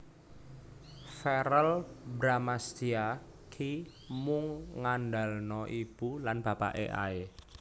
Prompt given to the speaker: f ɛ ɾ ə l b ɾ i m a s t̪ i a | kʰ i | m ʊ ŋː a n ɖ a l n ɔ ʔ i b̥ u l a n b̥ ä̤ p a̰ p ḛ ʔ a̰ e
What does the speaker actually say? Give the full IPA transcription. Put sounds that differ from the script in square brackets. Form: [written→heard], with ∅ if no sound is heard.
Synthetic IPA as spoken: f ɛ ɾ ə l b ɾ [i→a] m a s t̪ i a | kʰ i | m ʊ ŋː a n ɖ a l n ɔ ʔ i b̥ u l a n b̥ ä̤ p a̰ [p→ʔ] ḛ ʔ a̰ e